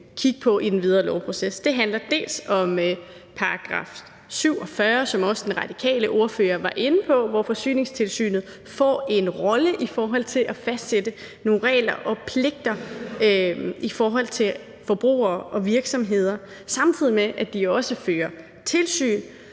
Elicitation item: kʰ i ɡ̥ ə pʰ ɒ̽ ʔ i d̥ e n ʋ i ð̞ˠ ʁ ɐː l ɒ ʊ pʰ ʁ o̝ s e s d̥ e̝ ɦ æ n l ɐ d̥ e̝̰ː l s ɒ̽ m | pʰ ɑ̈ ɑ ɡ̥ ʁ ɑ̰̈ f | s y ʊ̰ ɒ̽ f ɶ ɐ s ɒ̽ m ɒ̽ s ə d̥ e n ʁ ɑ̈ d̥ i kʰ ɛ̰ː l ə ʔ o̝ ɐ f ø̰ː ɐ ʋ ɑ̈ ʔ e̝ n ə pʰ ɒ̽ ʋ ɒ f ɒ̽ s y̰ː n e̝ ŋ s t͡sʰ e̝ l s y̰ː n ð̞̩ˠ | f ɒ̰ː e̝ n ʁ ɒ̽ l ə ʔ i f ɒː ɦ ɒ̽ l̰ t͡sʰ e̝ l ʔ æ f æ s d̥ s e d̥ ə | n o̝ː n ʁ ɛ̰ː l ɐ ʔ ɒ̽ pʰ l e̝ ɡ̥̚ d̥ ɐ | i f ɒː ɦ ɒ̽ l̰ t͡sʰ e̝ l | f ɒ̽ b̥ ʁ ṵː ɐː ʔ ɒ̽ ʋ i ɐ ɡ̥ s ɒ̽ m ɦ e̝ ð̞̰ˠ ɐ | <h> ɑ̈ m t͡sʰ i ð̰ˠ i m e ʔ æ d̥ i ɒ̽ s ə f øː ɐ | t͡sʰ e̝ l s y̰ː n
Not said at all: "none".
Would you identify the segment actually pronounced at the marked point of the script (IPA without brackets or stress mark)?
s